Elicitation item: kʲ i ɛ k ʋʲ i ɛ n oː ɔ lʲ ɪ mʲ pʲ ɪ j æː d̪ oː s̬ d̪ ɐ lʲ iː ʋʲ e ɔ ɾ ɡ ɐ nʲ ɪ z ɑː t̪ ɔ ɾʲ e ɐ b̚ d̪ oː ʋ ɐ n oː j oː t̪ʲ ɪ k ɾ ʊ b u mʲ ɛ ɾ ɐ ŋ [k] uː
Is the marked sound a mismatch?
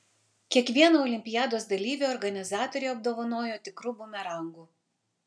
yes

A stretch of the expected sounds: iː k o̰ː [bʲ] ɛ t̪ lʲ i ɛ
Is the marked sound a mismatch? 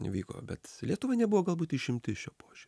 no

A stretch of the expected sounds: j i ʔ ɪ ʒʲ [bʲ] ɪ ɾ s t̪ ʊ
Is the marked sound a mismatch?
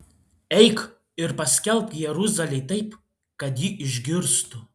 yes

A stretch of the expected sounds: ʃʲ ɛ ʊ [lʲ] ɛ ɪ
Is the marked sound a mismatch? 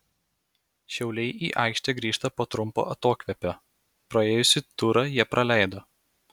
no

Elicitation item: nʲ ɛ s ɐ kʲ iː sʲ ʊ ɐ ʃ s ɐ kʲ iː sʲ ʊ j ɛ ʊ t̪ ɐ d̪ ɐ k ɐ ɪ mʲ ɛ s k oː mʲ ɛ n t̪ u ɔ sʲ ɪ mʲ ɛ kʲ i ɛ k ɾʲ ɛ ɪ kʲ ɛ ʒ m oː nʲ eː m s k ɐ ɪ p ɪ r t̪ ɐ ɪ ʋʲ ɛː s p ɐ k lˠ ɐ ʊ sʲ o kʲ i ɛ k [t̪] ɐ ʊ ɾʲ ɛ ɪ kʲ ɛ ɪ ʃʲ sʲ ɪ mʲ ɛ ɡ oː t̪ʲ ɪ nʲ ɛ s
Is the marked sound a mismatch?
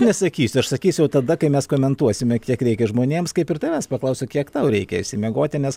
no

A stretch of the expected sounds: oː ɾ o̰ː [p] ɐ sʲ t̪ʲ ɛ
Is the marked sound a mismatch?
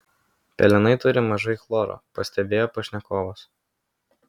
no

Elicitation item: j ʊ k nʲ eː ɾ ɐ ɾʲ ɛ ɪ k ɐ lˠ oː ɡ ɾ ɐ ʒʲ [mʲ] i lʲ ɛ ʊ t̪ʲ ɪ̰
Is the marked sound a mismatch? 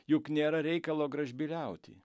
yes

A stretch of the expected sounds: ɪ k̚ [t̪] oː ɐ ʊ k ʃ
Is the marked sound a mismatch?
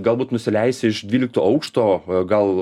no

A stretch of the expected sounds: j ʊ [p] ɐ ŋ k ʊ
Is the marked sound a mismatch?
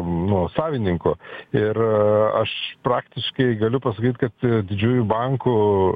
yes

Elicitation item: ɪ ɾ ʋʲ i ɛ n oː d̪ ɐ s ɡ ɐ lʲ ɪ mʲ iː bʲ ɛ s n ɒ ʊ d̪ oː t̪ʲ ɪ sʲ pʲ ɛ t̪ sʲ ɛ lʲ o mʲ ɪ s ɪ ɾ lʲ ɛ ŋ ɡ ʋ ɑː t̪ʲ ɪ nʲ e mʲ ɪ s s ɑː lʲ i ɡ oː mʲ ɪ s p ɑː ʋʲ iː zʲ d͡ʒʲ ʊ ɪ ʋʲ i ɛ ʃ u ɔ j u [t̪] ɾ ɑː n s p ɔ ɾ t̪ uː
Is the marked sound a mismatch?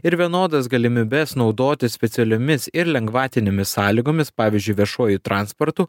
no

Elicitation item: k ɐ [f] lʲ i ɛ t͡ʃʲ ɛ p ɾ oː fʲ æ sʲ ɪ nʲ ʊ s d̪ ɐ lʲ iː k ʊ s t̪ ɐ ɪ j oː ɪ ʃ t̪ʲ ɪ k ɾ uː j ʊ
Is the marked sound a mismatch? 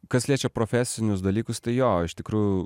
yes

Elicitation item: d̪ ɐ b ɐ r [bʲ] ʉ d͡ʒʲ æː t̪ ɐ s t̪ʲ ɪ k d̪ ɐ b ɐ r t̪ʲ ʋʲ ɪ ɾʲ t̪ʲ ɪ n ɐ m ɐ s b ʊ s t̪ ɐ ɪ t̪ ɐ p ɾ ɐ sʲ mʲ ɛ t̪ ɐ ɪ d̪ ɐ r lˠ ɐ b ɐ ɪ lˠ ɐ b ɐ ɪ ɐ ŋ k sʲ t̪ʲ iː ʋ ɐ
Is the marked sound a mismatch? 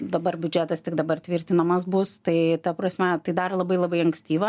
no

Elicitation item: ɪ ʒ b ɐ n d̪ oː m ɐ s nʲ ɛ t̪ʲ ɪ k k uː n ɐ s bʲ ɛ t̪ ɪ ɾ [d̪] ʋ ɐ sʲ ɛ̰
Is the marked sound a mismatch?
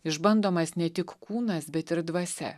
no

